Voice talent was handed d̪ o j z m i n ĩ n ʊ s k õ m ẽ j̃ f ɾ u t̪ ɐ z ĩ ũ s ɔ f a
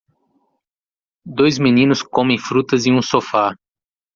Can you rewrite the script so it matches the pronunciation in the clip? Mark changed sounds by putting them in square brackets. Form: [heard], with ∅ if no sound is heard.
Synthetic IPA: d̪ o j z m i n ĩ n ʊ s k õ m ẽ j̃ f ɾ u t̪ ɐ z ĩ ũ s [o] f a